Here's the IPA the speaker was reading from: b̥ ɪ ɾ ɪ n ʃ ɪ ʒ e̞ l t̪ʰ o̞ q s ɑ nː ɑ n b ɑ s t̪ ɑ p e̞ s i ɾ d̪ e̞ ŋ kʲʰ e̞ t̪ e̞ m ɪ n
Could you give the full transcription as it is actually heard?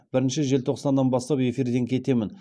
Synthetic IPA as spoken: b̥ ɪ ɾ ɪ n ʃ ɪ ʒ e̞ l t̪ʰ o̞ q s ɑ nː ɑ n b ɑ s t̪ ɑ p e̞ f i ɾ d̪ e̞ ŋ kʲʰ e̞ t̪ e̞ m ɪ n